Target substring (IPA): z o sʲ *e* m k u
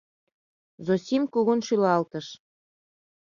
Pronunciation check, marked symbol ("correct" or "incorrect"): incorrect